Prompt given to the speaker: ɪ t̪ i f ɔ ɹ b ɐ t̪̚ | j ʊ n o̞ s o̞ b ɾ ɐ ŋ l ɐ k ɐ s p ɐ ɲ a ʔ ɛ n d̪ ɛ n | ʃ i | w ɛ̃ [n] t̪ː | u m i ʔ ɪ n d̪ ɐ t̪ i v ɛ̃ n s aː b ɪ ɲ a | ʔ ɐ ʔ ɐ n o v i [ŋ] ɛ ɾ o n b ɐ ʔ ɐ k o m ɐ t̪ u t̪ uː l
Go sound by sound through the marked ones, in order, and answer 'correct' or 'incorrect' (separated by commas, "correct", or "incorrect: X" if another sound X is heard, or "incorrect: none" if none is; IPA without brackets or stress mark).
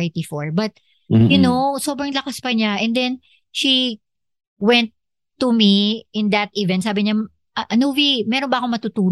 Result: correct, incorrect: m